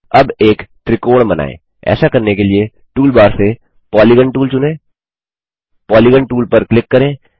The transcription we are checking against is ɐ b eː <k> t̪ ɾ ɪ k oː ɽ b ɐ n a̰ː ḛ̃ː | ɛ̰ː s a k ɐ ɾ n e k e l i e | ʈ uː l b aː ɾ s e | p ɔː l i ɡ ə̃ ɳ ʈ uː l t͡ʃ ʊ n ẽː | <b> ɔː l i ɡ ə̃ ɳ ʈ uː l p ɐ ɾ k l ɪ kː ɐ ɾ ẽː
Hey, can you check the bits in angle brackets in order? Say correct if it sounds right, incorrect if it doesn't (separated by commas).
correct, incorrect